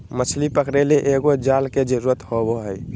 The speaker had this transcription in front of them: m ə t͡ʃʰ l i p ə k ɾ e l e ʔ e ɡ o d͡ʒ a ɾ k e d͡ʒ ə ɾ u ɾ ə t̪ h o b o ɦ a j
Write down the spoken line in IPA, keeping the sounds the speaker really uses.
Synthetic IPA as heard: m ə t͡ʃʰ l i p ə k ɾ e l e ʔ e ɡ o d͡ʒ a l k e d͡ʒ ə ɾ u ɾ ə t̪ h o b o ɦ ə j